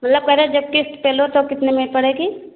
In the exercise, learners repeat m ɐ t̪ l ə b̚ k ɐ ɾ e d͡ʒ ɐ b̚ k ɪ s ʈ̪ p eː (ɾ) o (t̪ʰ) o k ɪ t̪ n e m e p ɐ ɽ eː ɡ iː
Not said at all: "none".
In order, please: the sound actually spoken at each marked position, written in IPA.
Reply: l, t̪

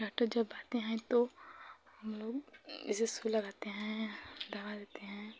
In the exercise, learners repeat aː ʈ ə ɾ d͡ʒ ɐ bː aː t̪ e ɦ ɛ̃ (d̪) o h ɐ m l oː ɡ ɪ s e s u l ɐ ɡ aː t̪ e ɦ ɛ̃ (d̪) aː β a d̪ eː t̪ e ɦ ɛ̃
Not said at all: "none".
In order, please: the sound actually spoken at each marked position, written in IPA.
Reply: t̪, d̪

